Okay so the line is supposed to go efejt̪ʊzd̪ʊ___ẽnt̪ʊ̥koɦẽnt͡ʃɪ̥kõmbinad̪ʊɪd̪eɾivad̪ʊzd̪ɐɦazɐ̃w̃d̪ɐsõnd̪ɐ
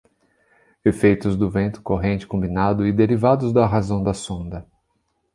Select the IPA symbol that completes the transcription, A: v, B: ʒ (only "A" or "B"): A